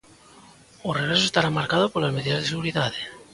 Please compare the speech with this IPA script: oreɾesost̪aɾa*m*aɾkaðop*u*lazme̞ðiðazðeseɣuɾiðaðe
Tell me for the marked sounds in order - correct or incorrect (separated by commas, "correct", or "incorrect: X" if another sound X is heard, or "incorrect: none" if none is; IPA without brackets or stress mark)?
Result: correct, incorrect: o